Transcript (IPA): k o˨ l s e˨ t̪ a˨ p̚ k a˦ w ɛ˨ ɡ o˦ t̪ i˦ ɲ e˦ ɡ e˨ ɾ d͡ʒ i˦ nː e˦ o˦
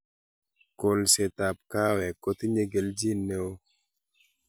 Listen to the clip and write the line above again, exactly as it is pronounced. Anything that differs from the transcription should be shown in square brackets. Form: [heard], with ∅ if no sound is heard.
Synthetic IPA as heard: k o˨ l s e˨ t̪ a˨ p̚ k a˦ w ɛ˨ [k] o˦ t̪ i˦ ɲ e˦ ɡ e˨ [l] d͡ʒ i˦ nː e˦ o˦